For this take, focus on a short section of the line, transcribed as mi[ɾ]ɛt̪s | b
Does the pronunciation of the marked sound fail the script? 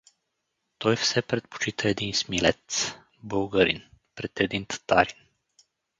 yes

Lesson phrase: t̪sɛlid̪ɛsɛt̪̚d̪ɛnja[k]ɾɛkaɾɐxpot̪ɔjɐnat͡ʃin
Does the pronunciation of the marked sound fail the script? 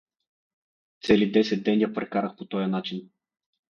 yes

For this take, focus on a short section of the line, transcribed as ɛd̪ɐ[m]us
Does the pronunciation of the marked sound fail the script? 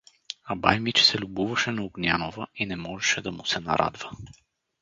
no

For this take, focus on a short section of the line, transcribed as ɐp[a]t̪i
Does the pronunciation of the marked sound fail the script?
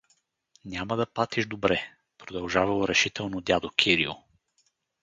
no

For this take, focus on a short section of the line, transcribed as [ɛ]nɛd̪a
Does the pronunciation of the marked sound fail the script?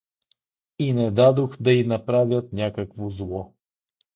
yes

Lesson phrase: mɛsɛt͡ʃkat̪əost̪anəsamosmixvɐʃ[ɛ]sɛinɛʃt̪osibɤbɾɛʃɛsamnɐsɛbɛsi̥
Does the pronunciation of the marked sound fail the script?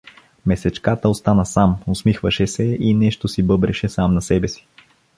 no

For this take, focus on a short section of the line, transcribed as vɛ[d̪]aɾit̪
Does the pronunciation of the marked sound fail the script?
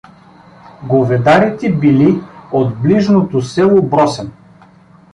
no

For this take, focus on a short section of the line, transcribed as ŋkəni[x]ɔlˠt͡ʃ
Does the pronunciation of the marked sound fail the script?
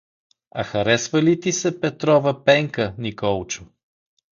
yes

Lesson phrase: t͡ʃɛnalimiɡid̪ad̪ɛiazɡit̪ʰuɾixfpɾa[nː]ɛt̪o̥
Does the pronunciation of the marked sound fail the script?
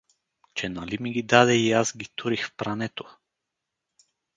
yes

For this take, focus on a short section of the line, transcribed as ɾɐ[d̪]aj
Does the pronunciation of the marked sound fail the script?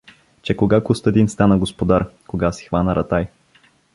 yes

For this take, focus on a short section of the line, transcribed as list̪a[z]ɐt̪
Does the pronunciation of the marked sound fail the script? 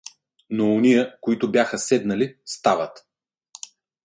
yes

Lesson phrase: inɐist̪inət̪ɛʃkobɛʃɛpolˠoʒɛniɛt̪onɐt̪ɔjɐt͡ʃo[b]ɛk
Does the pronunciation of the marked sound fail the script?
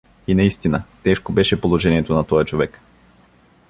yes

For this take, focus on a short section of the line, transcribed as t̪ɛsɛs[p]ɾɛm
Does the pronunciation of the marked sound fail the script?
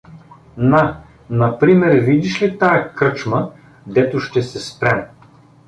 no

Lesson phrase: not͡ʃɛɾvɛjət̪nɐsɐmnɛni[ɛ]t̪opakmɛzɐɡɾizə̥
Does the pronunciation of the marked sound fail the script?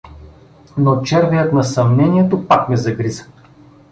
no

